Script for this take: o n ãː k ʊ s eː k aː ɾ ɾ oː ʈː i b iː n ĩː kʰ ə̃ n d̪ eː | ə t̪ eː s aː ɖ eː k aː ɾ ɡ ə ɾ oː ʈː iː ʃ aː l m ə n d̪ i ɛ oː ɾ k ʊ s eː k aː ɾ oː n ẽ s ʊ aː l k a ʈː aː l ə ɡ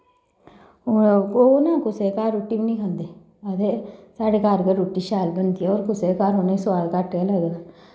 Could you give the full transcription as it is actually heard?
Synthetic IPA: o n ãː k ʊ s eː k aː ɾ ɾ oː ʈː i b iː n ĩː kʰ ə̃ n d̪ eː | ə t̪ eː s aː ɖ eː k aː ɾ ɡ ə ɾ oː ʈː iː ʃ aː l b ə n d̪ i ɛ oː ɾ k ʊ s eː k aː ɾ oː n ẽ s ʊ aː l k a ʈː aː l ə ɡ